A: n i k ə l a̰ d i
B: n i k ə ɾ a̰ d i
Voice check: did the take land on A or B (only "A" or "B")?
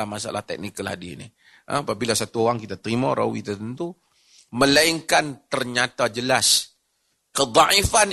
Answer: A